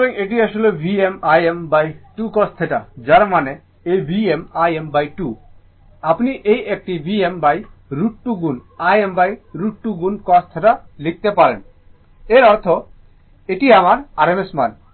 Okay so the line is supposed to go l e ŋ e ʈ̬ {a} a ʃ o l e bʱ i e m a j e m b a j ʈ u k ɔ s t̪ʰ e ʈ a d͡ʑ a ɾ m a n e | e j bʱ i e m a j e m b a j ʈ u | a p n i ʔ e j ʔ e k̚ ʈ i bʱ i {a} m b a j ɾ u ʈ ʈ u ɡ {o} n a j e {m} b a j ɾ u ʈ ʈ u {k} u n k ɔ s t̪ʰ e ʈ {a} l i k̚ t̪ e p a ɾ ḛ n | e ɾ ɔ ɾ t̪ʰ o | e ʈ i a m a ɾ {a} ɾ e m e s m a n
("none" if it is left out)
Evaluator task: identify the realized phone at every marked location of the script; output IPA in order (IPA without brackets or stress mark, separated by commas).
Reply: i, e, u, m, ɡ, a, a